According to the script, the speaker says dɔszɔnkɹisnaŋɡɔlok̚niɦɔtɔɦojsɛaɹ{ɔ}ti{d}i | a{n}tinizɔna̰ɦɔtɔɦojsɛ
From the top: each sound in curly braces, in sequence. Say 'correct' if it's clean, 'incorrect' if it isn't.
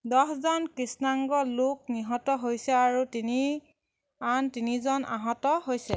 incorrect: u, incorrect: n, correct

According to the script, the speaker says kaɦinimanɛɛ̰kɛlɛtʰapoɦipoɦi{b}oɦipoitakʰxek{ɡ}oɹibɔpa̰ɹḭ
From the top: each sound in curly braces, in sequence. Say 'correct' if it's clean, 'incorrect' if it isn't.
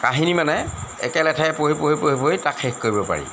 incorrect: p, incorrect: k

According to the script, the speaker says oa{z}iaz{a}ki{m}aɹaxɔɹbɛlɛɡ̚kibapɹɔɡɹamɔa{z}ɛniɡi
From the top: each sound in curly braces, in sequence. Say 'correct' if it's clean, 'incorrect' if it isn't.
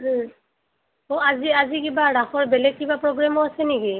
correct, incorrect: i, incorrect: b, incorrect: s

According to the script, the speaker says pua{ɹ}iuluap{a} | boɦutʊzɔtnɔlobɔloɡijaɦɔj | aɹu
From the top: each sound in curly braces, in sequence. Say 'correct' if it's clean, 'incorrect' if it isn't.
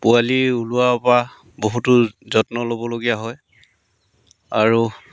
incorrect: l, correct

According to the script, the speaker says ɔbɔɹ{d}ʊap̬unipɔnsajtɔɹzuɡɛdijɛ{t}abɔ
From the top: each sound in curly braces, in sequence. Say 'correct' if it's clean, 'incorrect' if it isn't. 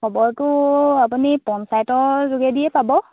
incorrect: t, incorrect: p

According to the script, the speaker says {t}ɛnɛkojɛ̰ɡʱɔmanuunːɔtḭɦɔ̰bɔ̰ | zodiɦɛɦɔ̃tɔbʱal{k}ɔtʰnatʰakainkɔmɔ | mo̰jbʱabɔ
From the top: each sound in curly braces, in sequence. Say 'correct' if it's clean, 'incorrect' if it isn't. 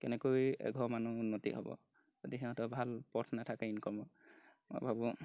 incorrect: k, incorrect: p

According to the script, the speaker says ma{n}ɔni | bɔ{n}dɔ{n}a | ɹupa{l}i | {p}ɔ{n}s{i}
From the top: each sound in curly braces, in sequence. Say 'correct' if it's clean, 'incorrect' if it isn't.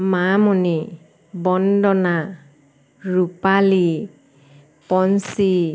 incorrect: m, correct, correct, correct, correct, correct, correct

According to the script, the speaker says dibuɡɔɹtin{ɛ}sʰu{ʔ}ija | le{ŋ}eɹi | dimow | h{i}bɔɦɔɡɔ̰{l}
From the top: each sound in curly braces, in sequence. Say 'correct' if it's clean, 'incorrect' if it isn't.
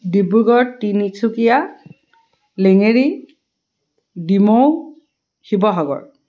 incorrect: i, incorrect: k, correct, correct, incorrect: ɹ

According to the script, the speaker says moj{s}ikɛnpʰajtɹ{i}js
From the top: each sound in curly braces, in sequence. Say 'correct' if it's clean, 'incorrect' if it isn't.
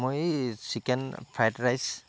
correct, incorrect: a

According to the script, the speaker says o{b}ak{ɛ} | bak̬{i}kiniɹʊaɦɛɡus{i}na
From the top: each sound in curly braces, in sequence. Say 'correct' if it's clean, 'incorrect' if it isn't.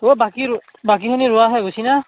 correct, incorrect: i, correct, correct

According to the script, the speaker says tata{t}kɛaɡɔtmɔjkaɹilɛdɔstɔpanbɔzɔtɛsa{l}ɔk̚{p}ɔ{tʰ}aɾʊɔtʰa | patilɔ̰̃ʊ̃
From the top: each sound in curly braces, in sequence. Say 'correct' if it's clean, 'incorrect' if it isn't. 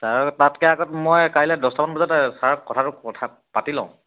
correct, incorrect: ɹ, incorrect: k, correct

